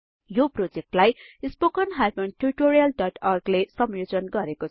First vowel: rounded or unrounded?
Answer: rounded